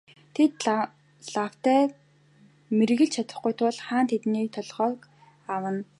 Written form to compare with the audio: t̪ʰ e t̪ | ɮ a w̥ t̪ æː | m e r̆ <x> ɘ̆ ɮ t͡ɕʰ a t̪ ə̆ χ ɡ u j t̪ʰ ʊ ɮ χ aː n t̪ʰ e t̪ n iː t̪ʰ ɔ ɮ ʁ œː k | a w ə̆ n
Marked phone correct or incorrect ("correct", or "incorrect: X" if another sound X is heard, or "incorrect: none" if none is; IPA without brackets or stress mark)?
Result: incorrect: ɣ